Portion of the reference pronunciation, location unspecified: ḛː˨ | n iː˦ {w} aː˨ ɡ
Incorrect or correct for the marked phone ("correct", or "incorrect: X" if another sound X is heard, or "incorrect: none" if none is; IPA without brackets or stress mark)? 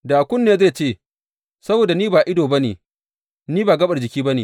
incorrect: b